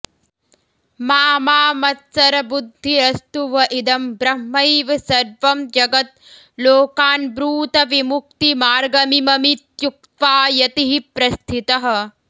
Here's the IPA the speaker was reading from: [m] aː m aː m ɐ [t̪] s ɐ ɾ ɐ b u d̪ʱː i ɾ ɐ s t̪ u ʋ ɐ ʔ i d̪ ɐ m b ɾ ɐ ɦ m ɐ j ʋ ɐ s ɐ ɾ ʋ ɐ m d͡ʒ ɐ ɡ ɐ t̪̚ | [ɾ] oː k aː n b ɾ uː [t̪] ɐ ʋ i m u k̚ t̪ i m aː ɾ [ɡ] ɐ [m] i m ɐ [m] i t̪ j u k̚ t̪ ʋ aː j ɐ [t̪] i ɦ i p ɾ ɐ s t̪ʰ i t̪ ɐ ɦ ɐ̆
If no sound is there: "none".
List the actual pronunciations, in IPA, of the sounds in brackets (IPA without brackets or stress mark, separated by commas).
m, t̪, l, t̪, ɡ, m, m, t̪